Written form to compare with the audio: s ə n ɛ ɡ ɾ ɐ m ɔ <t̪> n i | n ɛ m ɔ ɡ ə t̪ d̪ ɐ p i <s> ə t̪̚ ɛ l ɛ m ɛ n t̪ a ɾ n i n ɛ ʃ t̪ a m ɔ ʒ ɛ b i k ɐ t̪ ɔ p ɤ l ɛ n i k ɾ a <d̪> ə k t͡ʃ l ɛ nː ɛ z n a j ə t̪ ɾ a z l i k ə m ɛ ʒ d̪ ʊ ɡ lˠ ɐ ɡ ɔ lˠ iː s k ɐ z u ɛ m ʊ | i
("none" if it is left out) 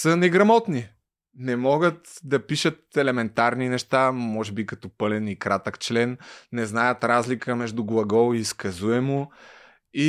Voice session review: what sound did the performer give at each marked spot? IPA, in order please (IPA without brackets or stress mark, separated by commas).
t̪, ʃ, t̪